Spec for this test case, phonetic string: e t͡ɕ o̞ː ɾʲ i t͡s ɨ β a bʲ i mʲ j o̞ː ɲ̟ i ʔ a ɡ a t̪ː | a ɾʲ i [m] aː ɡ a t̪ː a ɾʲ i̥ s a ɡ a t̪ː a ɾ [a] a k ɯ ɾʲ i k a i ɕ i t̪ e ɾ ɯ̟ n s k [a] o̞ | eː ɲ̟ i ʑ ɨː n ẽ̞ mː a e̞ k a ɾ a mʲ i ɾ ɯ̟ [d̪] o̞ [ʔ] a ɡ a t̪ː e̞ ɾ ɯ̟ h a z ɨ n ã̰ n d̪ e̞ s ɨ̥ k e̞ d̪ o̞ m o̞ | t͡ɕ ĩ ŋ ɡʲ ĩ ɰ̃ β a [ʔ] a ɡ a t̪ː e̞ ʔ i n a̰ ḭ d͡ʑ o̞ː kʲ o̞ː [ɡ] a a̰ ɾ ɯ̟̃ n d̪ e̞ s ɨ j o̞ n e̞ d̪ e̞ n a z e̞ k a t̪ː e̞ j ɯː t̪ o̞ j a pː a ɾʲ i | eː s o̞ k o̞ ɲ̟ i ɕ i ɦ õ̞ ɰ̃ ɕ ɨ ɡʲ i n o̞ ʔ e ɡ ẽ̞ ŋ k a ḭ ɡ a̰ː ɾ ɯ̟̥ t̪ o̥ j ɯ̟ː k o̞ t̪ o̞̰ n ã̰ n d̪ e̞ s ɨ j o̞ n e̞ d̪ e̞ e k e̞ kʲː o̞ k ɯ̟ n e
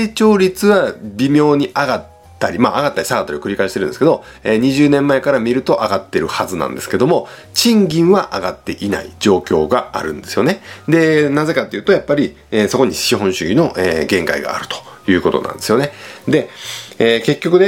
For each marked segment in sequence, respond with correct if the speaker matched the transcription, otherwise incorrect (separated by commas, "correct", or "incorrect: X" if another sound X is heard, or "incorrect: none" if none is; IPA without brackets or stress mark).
correct, incorrect: i, incorrect: e, incorrect: t̪, correct, correct, correct